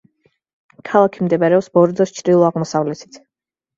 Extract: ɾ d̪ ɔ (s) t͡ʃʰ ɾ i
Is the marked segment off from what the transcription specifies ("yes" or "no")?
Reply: no